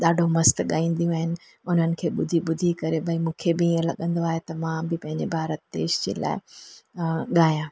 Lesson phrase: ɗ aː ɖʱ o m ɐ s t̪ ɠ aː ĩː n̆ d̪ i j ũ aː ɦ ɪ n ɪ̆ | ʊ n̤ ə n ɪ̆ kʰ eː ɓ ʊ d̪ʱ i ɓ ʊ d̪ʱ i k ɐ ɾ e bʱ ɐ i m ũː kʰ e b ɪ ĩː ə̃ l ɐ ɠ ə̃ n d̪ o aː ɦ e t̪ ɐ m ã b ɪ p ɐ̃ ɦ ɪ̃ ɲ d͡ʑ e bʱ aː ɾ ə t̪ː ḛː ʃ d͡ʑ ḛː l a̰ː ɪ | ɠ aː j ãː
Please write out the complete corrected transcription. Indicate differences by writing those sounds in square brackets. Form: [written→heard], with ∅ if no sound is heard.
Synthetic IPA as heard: ɗ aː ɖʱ o m ɐ s t̪ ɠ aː ĩː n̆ d̪ i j ũ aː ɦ ɪ n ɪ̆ | ʊ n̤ ə n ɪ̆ kʰ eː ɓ ʊ d̪ʱ i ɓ ʊ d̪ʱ i k ɐ ɾ e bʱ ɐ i m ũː kʰ e b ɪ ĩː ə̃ l ɐ ɠ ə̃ n d̪ o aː ɦ e t̪ ɐ m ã b ɪ p ɐ̃ ɦ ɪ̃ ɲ d͡ʑ e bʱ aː ɾ ə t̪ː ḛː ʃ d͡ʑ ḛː l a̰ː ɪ | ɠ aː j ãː